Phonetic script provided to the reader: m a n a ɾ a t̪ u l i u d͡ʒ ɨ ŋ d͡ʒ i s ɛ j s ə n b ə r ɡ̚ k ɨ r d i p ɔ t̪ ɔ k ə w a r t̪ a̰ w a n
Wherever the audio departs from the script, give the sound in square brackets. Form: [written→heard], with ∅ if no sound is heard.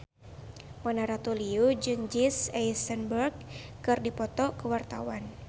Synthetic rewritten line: m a n a ɾ a t̪ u l i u d͡ʒ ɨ ŋ d͡ʒ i s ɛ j s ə n b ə r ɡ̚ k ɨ r d i p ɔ t̪ ɔ k ə w a r t̪ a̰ w a n

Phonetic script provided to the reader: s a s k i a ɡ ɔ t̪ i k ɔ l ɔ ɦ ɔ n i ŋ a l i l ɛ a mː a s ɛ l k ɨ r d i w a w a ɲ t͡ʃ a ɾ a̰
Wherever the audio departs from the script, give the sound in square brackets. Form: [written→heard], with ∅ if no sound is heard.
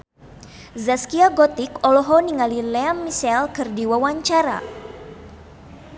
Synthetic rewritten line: [s→z] a s k i a ɡ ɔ t̪ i k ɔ l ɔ ɦ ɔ n i ŋ a l i l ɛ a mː [a→i] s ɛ l k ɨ r d i w a w a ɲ t͡ʃ a ɾ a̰

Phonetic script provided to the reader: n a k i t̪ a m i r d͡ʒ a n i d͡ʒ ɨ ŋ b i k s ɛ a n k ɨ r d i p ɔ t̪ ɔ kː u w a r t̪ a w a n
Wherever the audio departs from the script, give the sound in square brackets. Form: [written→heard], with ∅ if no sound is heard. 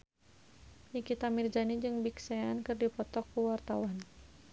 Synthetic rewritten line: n [a→i] k i t̪ a m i r d͡ʒ a n i d͡ʒ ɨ ŋ b i k s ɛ a n k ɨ r d i p ɔ t̪ ɔ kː u w a r t̪ a w a n

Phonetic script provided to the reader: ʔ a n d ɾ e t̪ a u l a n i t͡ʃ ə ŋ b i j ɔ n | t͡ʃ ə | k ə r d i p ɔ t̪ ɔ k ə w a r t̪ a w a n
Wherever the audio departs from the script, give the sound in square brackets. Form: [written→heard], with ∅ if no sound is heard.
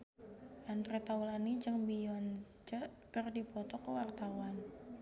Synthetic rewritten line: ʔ a n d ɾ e t̪ a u l a n i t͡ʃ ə ŋ b i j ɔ n | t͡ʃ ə | k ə r d i p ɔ t̪ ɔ k ə w a r t̪ a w a n

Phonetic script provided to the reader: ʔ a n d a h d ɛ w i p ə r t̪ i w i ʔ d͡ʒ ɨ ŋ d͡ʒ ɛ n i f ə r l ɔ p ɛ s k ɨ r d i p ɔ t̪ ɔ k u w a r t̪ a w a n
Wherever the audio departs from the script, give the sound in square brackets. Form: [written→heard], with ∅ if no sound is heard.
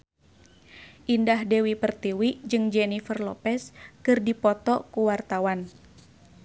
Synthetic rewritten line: ʔ [a→i] n d a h d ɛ w i p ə r t̪ i w i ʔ d͡ʒ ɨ ŋ d͡ʒ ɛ n i f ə r l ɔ p ɛ s k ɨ r d i p ɔ t̪ ɔ k u w a r t̪ a w a n

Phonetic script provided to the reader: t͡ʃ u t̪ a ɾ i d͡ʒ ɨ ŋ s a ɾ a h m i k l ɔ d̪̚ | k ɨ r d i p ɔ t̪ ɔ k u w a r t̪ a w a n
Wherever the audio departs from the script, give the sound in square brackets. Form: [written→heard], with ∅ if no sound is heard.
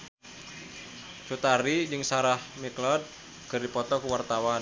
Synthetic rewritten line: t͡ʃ u t̪ a ɾ i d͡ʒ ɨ ŋ s a ɾ a h m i k l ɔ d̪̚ | k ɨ r d i p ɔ t̪ ɔ k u w a r t̪ a w a n

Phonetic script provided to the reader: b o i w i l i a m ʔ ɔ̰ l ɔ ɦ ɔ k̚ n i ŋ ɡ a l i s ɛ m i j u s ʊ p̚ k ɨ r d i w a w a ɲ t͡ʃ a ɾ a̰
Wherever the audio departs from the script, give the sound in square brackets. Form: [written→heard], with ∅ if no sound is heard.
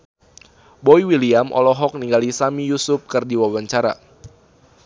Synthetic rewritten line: b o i w i l i a m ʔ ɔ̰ l ɔ ɦ ɔ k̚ n i ŋ ɡ a l i s [ɛ→a] m i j u s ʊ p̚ k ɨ r d i w a w a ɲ t͡ʃ a ɾ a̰

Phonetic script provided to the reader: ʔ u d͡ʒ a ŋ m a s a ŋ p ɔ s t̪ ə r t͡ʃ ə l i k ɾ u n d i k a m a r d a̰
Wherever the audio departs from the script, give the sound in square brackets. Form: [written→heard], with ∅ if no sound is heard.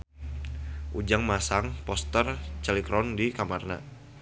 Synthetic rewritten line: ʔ u d͡ʒ a ŋ m a s a ŋ p ɔ s t̪ ə r t͡ʃ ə l i k ɾ [u→ɔ] n d i k a m a r [d→n] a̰

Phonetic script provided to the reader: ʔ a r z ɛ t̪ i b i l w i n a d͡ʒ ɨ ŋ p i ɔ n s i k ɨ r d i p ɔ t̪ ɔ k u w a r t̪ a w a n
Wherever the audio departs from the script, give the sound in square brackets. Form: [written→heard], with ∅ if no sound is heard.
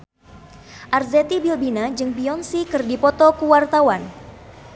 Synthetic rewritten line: ʔ a r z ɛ t̪ i b i l [w→b] i n a d͡ʒ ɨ ŋ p i ɔ n s i k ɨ r d i p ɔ t̪ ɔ k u w a r t̪ a w a n

